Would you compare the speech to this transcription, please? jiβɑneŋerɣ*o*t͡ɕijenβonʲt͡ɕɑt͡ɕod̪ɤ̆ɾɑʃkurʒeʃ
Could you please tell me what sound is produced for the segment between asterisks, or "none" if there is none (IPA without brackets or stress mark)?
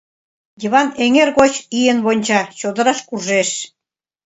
o